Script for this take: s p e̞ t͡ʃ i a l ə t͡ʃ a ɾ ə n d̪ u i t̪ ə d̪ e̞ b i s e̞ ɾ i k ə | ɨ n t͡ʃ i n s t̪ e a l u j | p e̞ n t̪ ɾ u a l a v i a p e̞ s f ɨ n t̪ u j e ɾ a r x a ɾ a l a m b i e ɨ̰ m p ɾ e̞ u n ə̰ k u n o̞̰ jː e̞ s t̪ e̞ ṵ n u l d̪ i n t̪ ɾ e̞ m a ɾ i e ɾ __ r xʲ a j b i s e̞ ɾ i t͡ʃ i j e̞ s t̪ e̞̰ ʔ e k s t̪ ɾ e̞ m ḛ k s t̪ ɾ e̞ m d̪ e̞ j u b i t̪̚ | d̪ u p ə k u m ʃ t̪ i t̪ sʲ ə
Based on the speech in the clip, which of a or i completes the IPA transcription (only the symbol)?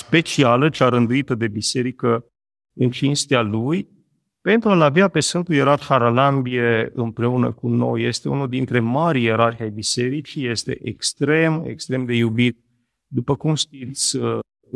a